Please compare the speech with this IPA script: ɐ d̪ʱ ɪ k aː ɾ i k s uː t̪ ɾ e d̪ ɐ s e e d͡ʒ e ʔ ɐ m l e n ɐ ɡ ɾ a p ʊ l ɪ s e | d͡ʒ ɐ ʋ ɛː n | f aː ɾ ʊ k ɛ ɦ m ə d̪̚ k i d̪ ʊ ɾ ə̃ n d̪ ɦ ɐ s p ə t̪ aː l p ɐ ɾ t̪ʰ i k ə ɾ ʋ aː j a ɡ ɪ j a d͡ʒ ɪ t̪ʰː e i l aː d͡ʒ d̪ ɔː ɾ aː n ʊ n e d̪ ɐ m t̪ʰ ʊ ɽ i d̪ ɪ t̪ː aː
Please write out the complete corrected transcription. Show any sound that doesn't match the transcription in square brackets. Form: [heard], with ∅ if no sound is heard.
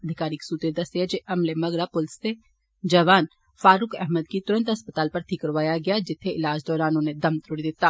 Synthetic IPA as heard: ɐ d̪ʱ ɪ k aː ɾ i k s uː t̪ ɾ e d̪ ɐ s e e d͡ʒ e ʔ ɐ m l e [m] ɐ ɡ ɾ a p ʊ l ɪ s e | d͡ʒ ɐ ʋ [aː] n | f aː ɾ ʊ k ɛ ɦ m ə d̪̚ k i [t̪] ʊ ɾ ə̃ n [t̪] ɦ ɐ s p ə t̪ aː l p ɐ ɾ t̪ʰ i k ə ɾ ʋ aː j a ɡ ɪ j a d͡ʒ ɪ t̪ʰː e [ɪ] l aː d͡ʒ d̪ ɔː ɾ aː n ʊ n e d̪ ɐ m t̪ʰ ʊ ɽ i d̪ ɪ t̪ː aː